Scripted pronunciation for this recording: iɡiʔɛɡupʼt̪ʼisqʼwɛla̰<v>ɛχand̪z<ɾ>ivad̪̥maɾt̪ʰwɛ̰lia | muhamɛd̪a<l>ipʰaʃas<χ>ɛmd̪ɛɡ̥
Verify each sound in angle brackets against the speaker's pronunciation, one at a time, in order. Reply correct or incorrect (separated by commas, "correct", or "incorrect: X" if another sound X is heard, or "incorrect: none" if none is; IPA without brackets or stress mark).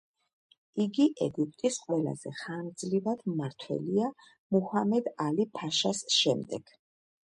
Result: incorrect: z, incorrect: l, correct, incorrect: ʃ